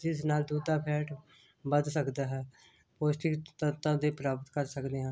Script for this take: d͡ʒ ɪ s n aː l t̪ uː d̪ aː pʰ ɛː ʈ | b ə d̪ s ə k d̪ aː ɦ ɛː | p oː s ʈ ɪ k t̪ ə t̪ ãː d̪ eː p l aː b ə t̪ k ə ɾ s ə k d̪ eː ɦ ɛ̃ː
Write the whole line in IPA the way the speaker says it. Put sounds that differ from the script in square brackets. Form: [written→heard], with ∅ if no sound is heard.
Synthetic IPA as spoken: d͡ʒ ɪ s n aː l [t̪→d̪] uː d̪ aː pʰ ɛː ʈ | b ə d̪ s ə k d̪ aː ɦ ɛː | p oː s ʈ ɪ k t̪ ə t̪ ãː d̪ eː p [l→ɾ] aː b ə t̪ k ə ɾ s ə k d̪ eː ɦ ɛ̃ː